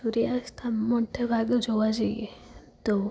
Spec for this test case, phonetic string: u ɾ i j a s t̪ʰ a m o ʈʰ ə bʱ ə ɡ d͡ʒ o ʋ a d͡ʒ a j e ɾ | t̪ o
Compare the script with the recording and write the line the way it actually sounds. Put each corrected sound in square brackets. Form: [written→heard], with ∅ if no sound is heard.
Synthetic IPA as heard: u ɾ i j a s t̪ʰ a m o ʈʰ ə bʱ [ə→a] ɡ d͡ʒ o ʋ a d͡ʒ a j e [ɾ→∅] | t̪ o